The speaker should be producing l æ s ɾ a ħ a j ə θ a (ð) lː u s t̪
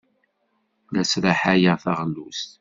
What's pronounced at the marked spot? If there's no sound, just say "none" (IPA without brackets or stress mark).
ʁ